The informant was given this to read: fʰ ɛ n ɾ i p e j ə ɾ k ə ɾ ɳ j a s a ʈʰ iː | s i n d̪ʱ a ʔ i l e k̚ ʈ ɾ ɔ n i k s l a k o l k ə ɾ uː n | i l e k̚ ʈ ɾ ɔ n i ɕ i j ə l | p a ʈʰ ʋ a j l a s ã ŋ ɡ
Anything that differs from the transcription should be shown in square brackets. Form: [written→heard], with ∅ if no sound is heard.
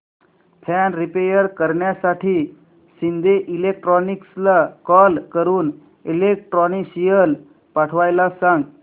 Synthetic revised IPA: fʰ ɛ n ɾ i p e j ə ɾ k ə ɾ ɳ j a s a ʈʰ iː | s i n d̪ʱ [a→e] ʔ i l e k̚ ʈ ɾ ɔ n i k s l a k [o→ɔ] l k ə ɾ uː n | i l e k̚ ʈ ɾ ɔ n i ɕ i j ə l | p a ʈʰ ʋ a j l a s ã ŋ ɡ